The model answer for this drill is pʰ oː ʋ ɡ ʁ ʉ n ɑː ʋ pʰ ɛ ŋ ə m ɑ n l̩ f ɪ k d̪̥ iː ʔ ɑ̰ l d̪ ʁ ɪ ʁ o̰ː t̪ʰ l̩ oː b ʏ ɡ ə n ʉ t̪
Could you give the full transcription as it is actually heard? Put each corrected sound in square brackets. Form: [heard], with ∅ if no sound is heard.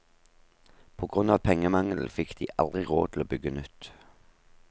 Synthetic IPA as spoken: pʰ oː [∅] ɡ ʁ ʉ n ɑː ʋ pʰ ɛ ŋ ə m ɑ [ŋ] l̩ f ɪ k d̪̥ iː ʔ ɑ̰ l d̪ ʁ ɪ ʁ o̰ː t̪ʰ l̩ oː b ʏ ɡ ə n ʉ t̪